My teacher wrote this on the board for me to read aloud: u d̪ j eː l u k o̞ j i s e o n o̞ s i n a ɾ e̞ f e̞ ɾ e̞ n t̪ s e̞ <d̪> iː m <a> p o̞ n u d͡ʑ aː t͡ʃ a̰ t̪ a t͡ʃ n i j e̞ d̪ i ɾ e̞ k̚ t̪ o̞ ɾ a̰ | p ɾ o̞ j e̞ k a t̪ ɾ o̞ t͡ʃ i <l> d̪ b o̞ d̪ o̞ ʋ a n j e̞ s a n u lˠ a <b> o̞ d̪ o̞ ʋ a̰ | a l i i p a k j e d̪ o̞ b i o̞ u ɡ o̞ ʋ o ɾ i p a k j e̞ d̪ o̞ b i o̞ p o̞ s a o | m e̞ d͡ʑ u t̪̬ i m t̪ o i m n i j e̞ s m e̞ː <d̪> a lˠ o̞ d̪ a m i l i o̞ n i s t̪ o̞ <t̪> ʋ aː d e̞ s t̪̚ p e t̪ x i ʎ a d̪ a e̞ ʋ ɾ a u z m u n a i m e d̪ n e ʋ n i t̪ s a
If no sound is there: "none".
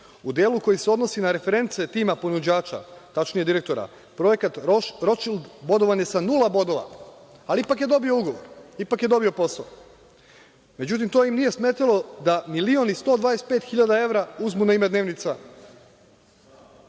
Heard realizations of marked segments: t̪, a, l, b, t̪, d̪

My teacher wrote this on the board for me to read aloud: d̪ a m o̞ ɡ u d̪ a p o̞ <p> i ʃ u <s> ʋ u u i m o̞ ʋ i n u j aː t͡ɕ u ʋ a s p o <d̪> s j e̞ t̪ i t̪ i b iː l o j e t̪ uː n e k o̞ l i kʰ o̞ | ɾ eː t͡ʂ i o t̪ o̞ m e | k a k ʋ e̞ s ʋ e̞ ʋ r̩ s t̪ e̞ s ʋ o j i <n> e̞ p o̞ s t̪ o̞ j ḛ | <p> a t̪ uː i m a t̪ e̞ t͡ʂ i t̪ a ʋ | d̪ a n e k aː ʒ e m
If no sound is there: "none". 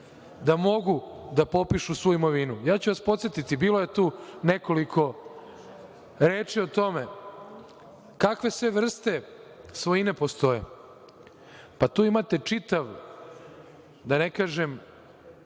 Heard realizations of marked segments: p, s, t̪, n, p

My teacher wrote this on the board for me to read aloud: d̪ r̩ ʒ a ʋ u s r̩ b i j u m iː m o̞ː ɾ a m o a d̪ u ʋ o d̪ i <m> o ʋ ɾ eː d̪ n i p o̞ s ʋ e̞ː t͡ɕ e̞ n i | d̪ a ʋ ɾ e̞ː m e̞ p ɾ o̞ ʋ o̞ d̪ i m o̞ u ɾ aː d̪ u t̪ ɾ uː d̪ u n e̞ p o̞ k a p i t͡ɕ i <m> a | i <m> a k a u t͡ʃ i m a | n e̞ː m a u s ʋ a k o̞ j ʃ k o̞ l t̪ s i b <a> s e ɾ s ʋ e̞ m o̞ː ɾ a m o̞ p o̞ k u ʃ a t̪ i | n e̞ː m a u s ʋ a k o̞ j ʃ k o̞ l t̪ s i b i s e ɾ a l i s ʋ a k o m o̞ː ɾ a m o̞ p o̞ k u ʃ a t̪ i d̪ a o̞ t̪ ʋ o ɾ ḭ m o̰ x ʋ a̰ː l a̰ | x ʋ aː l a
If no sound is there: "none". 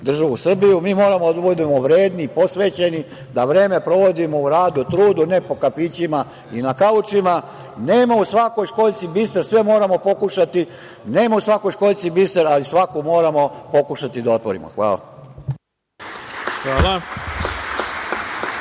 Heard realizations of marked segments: m, m, n, i

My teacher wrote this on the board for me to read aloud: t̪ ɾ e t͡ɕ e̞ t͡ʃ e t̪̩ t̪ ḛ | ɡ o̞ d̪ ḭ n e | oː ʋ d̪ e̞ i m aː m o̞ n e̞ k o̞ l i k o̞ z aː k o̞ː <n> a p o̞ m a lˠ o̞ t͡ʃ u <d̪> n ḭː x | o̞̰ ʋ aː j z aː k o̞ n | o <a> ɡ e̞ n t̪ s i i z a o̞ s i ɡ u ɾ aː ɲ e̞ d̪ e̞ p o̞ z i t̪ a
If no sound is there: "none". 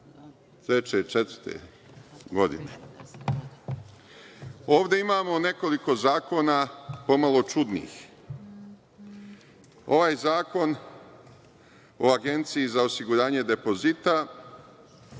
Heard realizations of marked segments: n, d̪, a

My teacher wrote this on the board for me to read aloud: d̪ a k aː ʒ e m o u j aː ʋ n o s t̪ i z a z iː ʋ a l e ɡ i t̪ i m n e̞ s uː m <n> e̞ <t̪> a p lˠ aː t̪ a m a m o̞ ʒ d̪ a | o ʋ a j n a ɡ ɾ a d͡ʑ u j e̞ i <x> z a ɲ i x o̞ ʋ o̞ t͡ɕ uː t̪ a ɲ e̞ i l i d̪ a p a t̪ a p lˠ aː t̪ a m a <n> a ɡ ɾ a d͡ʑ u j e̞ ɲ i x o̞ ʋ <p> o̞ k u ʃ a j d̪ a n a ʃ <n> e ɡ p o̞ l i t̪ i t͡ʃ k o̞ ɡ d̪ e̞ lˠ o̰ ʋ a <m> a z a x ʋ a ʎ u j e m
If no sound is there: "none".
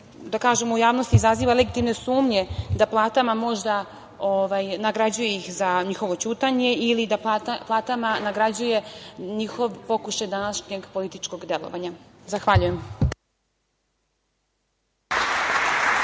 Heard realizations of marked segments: ɲ, d̪, x, n, p, ɲ, ɲ

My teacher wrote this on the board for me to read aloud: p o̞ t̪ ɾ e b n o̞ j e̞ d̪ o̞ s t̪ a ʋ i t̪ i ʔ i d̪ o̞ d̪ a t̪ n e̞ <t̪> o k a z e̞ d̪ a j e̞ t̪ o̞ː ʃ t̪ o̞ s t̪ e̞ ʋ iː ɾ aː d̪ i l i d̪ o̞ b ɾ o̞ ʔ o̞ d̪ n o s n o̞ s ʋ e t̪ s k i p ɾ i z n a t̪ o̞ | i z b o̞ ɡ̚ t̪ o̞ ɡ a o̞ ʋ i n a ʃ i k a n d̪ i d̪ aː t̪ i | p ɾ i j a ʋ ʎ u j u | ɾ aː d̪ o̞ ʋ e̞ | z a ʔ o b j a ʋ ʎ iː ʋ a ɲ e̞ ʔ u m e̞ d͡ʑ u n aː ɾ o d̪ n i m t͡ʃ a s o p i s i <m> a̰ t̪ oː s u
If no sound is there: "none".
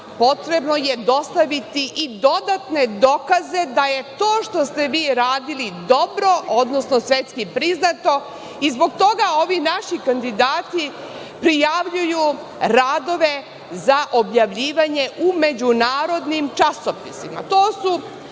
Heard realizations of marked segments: d̪, m

